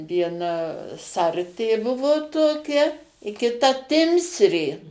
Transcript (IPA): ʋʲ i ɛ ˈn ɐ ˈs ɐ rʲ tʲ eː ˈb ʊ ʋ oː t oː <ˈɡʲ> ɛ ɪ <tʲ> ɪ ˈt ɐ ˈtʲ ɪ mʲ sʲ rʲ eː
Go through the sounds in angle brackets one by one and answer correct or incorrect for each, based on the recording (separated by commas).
incorrect, incorrect